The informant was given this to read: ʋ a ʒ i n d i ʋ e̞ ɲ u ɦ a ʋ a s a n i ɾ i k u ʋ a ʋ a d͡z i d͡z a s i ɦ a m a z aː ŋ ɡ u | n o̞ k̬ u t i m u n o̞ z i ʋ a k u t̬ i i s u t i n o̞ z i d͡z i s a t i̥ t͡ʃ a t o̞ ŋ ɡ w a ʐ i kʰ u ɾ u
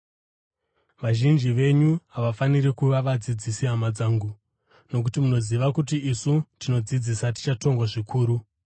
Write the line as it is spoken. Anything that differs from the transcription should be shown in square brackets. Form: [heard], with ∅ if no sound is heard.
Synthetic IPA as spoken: ʋ a ʒ i n [d͡ʒ] i ʋ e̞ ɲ u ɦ a ʋ a [f] a n i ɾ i k u ʋ a ʋ a d͡z i d͡z [i] s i ɦ a m a [d͡z] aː ŋ ɡ u | n o̞ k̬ u t i m u n o̞ z i ʋ a k u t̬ i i s u t i n o̞ [d͡z] i d͡z i s a t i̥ t͡ʃ a t o̞ ŋ ɡ w a ʐ i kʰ [uː] ɾ u